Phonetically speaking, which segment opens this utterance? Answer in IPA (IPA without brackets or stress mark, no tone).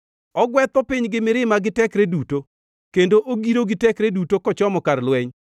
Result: ɔ